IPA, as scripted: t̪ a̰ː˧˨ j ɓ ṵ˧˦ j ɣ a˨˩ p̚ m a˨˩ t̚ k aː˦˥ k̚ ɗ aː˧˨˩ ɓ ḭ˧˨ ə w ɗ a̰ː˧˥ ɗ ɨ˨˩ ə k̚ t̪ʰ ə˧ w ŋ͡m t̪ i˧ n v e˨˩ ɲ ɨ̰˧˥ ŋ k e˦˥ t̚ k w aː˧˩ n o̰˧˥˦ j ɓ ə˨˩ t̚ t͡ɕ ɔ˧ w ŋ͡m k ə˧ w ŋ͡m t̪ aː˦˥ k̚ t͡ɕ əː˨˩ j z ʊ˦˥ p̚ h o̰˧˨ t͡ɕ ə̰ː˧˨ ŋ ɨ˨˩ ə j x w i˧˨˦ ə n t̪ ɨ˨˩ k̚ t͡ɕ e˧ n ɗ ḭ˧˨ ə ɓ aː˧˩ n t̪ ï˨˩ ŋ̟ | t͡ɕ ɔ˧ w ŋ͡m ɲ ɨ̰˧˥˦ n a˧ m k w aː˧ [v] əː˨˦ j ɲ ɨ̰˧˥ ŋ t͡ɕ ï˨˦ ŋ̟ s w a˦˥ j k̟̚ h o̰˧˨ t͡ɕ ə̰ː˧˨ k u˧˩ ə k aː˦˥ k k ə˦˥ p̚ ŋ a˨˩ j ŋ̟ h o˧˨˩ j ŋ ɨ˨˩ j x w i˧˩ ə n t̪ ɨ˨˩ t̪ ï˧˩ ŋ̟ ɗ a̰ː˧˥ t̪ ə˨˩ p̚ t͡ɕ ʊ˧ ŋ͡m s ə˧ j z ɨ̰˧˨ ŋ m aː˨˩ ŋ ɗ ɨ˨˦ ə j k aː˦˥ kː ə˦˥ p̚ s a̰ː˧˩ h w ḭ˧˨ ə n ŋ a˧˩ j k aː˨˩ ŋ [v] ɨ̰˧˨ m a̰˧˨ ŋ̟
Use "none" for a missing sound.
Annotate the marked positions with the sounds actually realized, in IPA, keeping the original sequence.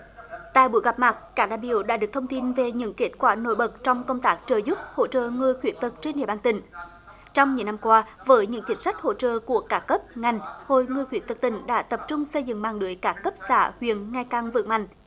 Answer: v, v

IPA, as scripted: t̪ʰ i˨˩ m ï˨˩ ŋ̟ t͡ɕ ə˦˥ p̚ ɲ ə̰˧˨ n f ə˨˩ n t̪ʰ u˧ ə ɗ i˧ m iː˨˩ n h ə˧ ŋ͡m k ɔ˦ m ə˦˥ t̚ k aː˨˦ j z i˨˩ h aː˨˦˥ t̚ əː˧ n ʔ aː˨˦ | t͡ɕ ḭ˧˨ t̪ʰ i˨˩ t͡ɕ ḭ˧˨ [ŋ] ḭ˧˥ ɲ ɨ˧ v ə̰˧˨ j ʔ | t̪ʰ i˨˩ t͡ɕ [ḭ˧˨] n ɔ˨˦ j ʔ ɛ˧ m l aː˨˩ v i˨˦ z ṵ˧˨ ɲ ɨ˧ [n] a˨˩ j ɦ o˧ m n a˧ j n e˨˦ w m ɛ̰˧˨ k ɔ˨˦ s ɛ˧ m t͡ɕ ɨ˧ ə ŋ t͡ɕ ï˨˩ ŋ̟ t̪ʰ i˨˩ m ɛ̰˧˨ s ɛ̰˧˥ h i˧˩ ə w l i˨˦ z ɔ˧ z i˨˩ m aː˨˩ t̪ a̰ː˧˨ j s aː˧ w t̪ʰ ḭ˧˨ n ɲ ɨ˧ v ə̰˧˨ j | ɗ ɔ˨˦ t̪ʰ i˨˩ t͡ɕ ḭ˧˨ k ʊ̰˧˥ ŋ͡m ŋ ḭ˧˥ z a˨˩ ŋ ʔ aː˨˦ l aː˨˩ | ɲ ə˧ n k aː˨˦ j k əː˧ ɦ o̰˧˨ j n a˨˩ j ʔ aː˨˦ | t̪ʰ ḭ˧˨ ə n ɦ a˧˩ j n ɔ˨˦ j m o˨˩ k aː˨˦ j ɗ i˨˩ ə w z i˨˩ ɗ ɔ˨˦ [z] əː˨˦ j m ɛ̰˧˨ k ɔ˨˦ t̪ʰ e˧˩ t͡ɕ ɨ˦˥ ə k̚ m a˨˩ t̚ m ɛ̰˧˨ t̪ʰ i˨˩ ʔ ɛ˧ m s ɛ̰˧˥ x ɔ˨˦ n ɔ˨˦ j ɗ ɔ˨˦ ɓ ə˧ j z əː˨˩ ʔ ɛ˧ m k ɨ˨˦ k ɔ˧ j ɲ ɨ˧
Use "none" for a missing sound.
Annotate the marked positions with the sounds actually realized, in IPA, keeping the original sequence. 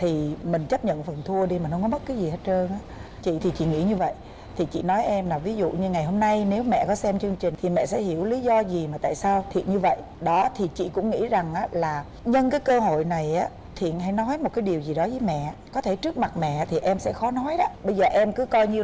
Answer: ŋ, ḭ˧˨, ŋ, z

